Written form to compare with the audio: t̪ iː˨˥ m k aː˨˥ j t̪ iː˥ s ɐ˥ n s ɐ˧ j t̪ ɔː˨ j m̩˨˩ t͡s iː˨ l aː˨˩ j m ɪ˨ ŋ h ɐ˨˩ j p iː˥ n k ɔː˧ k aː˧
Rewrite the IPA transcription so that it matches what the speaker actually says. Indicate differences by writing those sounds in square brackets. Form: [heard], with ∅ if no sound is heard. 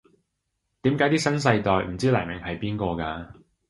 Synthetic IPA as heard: t̪ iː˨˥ m k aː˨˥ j t̪ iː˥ s ɐ˥ n s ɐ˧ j t̪ ɔː˨ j m̩˨˩ t͡s [iː˥] l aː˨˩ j m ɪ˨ ŋ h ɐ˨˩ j p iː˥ n k ɔː˧ k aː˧